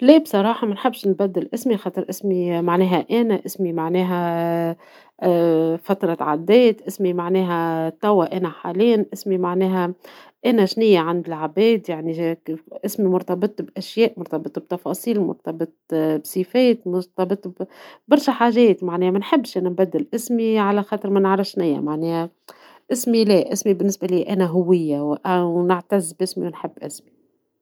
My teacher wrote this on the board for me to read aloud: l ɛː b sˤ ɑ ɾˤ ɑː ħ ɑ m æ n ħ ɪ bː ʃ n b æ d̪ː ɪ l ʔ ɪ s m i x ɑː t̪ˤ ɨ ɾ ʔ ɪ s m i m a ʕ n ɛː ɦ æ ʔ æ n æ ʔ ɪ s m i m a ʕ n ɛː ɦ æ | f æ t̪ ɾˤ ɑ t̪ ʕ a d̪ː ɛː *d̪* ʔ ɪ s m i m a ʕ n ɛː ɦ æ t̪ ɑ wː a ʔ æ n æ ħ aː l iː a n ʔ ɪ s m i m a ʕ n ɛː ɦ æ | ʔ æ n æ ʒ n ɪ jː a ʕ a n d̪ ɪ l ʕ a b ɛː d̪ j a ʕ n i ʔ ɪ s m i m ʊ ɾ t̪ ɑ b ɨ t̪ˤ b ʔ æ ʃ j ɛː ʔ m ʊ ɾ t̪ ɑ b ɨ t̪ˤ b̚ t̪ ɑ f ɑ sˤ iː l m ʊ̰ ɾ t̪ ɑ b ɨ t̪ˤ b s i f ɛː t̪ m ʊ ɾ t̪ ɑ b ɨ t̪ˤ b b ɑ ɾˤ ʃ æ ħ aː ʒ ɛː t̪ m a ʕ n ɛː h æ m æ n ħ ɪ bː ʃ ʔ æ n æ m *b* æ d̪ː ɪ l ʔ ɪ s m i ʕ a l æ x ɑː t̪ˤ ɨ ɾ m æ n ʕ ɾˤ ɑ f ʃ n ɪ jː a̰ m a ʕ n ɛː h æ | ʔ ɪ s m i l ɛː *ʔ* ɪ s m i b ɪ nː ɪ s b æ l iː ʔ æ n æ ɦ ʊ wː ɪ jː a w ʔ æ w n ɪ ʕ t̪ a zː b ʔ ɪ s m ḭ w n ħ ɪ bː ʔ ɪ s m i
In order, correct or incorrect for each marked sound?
incorrect, correct, correct

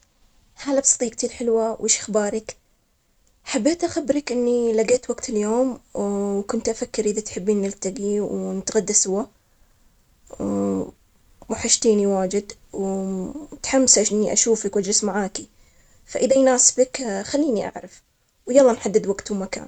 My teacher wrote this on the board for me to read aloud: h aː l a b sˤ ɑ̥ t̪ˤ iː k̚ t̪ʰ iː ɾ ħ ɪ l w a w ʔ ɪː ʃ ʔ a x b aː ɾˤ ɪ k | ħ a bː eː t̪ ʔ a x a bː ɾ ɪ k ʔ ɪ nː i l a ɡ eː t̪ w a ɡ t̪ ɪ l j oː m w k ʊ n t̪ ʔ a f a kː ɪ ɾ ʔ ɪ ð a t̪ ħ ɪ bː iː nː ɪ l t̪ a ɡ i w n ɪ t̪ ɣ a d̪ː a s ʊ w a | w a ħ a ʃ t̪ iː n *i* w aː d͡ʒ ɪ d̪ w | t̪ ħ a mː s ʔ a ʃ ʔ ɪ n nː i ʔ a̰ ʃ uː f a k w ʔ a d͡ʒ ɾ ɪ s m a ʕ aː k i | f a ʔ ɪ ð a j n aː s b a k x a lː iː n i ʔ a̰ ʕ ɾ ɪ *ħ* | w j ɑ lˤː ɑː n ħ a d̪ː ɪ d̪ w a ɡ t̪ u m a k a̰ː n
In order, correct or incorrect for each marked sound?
correct, incorrect

